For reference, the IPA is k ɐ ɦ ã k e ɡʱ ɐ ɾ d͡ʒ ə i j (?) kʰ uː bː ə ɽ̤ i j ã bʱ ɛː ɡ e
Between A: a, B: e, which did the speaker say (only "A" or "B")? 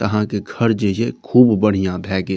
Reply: B